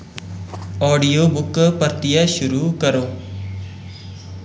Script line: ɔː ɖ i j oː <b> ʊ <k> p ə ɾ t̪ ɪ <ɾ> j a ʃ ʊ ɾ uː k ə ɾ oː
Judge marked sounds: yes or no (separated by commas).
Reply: yes, yes, no